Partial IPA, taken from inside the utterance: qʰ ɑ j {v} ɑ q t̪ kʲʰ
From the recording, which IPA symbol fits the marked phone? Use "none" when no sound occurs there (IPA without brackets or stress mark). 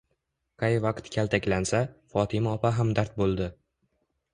v